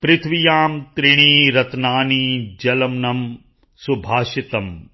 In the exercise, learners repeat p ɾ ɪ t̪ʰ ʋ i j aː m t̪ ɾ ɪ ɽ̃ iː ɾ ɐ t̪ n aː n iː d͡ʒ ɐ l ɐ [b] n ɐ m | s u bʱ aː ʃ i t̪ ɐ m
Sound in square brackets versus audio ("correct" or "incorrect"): incorrect